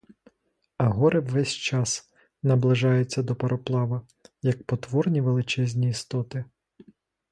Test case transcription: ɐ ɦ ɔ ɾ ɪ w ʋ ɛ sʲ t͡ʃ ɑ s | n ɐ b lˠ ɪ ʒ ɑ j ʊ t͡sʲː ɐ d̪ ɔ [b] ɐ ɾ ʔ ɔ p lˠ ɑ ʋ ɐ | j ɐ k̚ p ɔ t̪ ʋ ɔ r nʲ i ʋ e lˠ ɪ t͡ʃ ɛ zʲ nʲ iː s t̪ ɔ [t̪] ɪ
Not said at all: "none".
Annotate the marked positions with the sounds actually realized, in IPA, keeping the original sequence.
p, t̪

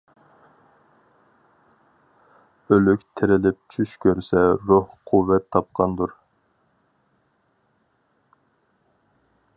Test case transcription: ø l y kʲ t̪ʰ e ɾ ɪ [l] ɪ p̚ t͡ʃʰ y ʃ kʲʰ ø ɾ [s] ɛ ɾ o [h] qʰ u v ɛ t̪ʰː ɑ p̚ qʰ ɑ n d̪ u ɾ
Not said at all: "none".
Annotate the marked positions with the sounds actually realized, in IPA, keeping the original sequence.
l, s, h

